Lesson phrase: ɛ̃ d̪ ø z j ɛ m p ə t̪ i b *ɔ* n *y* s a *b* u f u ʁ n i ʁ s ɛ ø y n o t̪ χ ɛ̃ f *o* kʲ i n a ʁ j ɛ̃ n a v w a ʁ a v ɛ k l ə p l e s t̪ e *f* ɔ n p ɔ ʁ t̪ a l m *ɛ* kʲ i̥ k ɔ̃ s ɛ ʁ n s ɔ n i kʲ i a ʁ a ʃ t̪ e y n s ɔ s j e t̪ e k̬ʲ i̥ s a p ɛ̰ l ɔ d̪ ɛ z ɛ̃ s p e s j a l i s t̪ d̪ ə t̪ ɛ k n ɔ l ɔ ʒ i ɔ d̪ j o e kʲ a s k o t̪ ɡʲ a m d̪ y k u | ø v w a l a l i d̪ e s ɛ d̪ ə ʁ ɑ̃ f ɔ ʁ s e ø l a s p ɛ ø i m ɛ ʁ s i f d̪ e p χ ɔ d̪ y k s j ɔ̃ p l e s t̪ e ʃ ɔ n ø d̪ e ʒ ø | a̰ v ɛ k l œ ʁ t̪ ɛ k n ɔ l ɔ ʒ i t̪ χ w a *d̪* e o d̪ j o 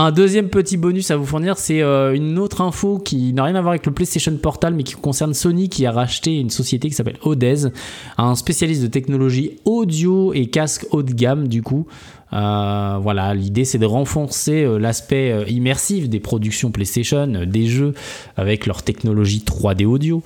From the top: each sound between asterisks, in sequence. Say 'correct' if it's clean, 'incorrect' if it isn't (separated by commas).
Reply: correct, correct, incorrect, correct, incorrect, correct, correct